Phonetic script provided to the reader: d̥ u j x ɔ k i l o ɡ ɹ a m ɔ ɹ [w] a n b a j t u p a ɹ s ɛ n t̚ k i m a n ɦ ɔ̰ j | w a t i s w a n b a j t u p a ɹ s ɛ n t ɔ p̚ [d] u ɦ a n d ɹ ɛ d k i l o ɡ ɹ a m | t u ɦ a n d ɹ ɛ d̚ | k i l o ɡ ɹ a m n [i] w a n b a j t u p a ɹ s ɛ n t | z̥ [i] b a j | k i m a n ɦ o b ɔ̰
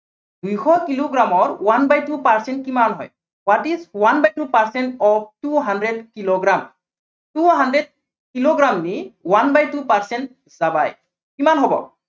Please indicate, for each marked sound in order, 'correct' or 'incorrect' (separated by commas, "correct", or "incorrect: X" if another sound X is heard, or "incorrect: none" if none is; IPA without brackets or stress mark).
correct, incorrect: t, correct, incorrect: a